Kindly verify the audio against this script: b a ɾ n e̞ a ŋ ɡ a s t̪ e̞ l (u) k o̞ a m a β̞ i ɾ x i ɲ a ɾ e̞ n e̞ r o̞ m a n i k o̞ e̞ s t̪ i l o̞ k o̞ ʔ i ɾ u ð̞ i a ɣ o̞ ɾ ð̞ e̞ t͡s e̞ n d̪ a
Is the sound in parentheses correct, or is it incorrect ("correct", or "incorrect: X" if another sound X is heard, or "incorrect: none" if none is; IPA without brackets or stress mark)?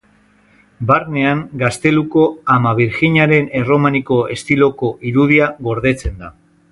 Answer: correct